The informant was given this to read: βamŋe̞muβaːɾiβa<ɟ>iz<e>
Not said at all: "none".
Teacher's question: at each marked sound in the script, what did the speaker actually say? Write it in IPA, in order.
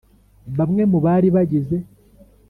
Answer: ɟ, e

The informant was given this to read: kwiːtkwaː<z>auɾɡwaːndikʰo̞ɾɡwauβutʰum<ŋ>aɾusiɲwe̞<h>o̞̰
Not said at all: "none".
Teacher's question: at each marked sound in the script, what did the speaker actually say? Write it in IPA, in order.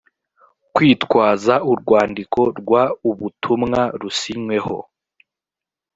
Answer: z, ŋ, h

